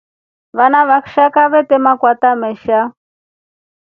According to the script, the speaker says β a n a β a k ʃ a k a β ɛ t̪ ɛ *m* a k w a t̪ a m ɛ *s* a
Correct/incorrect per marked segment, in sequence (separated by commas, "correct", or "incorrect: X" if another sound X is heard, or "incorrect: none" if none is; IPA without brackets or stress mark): correct, incorrect: ʃ